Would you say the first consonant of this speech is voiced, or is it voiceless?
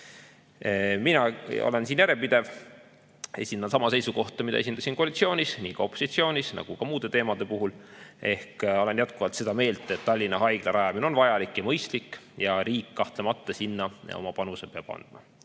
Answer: voiced